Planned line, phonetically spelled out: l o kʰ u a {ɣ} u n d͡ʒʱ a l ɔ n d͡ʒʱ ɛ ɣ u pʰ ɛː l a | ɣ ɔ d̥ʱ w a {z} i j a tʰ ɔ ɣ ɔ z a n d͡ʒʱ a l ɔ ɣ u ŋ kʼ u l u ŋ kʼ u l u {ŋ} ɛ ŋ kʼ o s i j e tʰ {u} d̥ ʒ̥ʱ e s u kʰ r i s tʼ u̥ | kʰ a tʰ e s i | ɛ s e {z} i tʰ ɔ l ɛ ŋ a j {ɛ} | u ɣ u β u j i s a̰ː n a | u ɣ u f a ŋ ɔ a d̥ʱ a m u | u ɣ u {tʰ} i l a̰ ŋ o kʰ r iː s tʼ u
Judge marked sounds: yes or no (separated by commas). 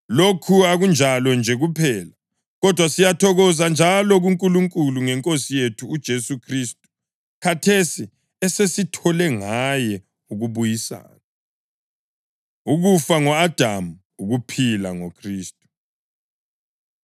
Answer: yes, no, yes, no, no, yes, no